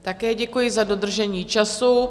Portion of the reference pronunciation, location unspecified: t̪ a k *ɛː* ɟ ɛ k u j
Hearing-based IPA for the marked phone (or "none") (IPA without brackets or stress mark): ɛː